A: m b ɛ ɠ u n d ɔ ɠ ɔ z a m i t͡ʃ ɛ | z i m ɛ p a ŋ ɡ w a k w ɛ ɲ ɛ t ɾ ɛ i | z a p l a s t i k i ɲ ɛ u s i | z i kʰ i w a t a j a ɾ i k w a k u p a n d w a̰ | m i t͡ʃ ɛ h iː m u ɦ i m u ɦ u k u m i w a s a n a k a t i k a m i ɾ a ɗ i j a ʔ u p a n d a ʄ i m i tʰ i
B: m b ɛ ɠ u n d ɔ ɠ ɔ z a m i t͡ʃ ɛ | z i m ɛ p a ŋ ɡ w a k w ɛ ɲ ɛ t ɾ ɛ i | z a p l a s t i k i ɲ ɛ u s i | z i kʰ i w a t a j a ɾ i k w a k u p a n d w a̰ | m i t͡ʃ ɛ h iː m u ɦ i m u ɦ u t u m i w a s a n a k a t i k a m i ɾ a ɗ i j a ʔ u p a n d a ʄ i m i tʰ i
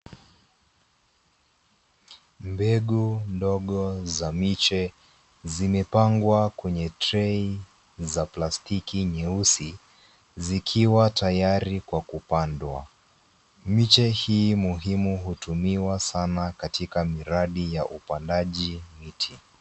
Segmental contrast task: B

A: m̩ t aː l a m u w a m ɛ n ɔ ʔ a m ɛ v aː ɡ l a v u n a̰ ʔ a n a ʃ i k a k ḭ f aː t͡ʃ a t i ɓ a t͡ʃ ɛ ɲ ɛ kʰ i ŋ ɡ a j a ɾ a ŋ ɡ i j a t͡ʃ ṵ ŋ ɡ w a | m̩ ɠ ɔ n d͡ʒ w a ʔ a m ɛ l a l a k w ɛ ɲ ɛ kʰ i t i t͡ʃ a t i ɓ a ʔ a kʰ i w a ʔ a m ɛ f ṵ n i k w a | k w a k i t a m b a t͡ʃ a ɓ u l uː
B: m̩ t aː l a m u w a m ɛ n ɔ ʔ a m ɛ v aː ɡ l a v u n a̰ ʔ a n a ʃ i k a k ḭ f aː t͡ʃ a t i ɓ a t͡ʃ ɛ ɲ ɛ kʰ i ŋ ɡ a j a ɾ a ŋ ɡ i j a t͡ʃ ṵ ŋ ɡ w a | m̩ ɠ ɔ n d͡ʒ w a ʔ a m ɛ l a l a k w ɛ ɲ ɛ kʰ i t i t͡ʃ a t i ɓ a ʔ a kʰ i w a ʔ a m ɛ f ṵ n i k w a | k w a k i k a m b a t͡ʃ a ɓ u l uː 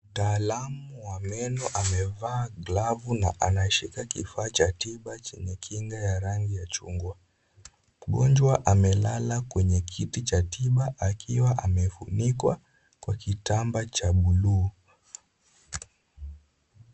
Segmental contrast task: A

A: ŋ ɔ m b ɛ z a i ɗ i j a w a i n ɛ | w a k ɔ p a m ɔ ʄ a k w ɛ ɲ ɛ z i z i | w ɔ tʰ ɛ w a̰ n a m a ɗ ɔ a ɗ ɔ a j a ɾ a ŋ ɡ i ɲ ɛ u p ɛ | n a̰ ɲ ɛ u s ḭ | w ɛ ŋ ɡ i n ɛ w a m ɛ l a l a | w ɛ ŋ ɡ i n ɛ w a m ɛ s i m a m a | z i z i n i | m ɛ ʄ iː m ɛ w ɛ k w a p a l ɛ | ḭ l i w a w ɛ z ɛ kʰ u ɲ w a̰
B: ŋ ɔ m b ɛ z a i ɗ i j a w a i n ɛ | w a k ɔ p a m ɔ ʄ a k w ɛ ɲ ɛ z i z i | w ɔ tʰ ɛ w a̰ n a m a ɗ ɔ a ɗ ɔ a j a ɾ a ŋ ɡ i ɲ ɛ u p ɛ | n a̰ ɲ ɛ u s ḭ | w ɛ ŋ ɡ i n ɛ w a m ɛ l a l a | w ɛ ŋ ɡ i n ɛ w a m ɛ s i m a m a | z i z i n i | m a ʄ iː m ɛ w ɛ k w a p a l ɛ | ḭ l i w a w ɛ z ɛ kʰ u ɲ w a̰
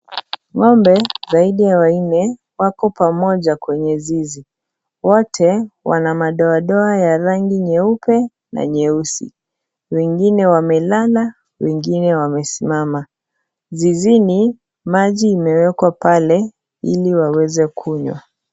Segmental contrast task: B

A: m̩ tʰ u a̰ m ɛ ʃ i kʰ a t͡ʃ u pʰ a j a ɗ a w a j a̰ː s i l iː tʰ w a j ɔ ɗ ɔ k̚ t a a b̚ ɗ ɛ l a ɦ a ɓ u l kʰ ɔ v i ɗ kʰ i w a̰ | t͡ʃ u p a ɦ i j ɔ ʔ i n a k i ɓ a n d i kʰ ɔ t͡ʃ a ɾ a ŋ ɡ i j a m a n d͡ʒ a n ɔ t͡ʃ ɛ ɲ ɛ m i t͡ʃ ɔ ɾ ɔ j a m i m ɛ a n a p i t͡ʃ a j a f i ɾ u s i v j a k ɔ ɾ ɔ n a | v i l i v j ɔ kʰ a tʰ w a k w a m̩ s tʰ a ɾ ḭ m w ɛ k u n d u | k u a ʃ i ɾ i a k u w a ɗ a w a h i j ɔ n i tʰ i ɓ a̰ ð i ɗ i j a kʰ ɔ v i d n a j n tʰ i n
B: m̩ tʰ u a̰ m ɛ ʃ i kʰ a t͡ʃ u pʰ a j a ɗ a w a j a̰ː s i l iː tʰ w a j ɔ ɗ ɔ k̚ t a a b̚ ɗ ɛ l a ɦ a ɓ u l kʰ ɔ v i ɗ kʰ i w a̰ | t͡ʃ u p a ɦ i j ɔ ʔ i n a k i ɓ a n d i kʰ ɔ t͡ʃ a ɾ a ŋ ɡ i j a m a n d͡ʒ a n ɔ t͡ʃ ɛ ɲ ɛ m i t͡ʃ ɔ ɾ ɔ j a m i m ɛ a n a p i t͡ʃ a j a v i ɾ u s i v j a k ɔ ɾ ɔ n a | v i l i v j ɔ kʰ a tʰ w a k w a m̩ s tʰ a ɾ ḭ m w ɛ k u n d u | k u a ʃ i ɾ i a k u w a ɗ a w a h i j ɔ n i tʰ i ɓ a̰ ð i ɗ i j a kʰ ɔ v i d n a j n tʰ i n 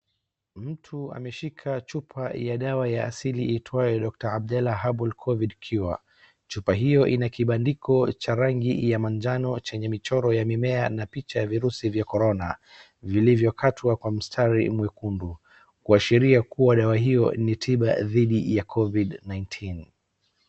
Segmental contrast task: B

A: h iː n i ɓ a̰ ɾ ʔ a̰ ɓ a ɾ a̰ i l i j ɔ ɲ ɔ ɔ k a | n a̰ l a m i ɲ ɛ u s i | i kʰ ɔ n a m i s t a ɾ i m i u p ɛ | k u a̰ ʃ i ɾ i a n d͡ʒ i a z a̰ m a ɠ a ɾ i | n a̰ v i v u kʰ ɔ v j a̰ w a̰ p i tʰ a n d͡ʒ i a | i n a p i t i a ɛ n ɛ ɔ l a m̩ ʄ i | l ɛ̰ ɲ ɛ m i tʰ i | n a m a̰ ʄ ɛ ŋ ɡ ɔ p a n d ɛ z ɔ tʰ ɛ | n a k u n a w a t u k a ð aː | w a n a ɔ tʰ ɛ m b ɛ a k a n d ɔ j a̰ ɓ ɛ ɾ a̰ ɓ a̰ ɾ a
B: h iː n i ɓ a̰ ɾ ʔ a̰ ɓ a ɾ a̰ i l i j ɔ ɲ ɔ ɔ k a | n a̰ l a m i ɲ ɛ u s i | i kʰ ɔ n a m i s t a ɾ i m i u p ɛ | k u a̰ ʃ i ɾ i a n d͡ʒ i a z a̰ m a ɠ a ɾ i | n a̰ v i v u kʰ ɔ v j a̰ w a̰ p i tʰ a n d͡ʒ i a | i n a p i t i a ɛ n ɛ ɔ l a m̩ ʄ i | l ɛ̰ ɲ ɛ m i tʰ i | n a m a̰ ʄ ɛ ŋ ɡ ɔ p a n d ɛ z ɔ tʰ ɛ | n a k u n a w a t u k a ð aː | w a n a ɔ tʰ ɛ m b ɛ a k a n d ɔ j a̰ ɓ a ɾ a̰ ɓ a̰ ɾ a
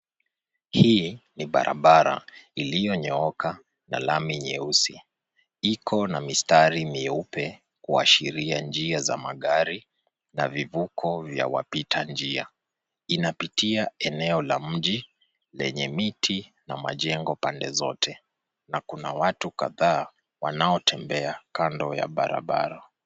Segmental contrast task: B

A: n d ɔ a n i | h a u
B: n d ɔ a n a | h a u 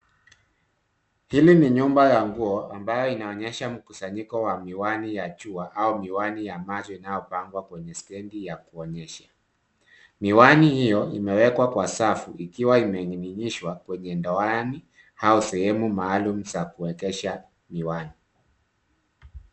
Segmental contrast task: A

